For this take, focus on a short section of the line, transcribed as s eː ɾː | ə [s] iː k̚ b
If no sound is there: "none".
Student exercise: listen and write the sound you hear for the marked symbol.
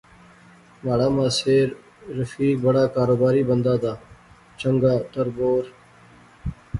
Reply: f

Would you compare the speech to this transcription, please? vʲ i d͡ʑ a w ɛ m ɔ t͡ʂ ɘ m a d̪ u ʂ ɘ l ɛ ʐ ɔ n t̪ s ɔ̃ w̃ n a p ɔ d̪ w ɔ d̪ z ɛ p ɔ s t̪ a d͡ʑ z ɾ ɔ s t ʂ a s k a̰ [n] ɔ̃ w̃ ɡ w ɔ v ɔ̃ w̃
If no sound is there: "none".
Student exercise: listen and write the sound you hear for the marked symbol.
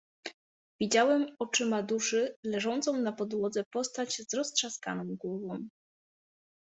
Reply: n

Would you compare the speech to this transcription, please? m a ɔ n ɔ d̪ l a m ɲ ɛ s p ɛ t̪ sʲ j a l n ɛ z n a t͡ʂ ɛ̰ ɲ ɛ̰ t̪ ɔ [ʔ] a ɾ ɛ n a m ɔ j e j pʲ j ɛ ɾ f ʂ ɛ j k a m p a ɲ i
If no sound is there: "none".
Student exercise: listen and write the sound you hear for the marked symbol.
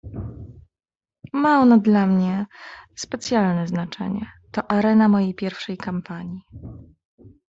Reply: ʔ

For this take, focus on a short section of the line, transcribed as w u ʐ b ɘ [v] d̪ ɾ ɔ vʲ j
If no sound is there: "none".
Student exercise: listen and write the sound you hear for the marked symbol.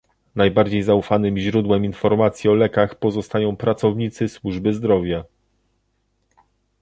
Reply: z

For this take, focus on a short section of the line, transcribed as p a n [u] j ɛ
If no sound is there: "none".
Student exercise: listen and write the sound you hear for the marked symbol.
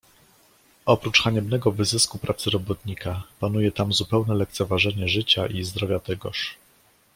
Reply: u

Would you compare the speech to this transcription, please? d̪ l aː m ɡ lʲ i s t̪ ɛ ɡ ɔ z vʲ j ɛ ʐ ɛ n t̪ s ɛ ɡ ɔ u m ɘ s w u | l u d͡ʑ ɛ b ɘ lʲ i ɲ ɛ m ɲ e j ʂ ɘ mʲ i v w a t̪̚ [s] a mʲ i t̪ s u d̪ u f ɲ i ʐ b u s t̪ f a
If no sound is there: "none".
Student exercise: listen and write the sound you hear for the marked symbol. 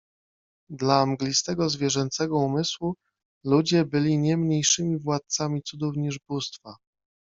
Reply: s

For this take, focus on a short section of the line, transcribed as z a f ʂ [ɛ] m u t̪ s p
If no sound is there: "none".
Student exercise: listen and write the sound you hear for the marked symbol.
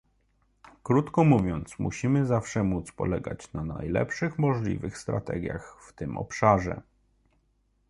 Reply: ɛ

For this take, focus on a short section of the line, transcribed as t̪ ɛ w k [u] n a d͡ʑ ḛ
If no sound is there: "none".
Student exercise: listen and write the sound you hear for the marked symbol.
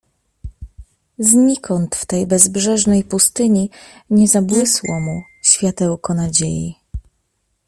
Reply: ɔ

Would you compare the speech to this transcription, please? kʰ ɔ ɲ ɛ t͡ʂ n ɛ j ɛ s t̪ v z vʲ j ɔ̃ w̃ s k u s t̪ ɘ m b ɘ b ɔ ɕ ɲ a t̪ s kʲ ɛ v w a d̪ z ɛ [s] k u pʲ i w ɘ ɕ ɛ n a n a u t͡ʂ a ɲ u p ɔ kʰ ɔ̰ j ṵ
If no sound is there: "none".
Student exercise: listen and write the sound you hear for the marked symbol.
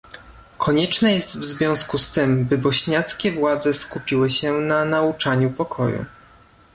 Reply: s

